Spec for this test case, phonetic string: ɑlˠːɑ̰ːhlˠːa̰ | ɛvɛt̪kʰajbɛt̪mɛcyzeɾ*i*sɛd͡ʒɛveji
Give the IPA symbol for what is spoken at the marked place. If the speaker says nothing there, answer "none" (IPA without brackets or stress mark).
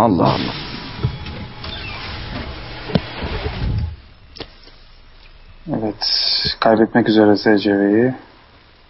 ɛ